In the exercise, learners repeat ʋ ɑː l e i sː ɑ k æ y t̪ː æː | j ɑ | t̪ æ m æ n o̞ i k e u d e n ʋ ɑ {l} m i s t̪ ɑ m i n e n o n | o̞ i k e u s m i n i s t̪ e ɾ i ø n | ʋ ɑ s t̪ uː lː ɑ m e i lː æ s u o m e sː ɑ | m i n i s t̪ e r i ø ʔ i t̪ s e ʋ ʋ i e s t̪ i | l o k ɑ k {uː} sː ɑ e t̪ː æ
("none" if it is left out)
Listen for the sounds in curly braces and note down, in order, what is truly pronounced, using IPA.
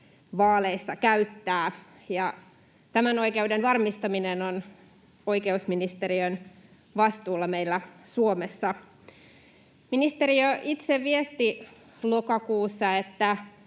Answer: r, uː

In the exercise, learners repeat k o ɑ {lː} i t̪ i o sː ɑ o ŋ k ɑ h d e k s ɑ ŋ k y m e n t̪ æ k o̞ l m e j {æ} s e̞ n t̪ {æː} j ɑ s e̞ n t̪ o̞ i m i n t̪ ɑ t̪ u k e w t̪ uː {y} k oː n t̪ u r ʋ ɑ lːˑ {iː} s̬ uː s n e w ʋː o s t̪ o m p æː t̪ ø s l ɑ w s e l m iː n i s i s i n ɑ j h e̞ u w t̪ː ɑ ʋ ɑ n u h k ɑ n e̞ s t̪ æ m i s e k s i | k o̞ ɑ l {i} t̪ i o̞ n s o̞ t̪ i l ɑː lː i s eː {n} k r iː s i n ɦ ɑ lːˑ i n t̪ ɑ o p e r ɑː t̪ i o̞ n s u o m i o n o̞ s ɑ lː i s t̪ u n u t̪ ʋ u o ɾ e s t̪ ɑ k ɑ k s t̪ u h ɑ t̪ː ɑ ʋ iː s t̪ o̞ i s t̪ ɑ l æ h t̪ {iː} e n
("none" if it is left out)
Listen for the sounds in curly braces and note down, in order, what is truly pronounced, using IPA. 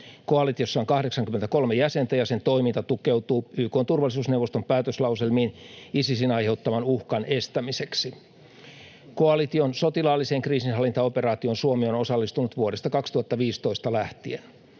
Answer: l, æ, æ, yː, i, i, ŋ, i

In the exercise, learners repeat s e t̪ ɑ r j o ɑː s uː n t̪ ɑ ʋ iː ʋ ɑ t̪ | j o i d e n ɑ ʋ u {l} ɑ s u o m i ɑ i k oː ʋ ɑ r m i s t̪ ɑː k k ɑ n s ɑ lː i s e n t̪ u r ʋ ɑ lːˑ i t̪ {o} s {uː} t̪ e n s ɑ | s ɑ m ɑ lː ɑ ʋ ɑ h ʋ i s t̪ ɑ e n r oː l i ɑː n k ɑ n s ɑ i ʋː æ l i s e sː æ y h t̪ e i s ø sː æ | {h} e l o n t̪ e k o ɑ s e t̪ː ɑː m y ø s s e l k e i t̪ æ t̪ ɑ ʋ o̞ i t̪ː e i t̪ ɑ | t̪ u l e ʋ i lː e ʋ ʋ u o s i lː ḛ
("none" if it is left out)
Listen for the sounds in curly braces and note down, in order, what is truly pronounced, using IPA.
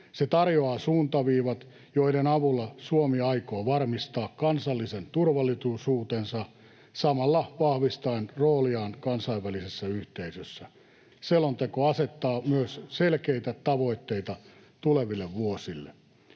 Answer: lː, u, uː, s

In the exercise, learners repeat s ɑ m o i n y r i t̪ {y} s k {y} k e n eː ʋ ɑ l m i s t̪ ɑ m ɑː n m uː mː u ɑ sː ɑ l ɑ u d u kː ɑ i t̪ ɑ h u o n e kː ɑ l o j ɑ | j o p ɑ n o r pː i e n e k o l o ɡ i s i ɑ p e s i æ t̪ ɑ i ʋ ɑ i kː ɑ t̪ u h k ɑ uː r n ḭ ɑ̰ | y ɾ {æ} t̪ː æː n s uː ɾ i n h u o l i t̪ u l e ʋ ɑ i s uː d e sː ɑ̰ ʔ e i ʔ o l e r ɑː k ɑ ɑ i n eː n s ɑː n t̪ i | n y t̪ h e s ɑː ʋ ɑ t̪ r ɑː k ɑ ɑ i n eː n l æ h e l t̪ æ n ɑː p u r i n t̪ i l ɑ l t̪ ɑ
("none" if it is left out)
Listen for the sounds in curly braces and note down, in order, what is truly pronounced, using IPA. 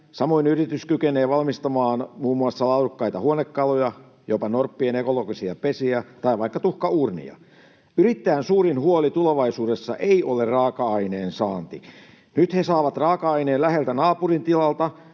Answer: y, y, i

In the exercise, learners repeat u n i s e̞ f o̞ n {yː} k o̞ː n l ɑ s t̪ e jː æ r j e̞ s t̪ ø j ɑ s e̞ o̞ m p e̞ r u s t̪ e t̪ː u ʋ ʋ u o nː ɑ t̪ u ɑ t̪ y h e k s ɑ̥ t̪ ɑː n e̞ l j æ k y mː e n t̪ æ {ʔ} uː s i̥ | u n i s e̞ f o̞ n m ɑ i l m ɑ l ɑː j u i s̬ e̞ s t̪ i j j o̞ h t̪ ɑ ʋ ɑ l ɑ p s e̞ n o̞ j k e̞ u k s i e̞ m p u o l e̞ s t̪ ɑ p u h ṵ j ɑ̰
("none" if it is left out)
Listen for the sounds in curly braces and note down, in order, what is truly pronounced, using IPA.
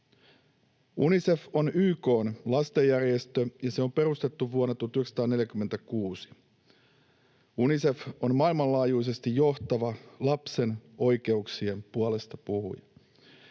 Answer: yː, k

